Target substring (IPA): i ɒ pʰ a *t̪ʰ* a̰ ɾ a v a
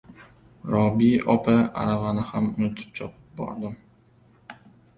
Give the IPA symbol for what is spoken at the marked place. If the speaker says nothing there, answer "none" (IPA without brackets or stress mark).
none